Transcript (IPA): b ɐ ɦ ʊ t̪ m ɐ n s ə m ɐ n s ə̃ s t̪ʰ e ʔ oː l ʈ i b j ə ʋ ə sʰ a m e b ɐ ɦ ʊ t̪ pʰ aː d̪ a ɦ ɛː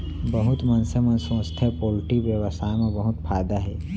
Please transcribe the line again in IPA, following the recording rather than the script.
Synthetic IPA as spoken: b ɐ ɦ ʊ t̪ m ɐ n s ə m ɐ n s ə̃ s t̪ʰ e p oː l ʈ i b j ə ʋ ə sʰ a m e b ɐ ɦ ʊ t̪ pʰ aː d̪ a ɦ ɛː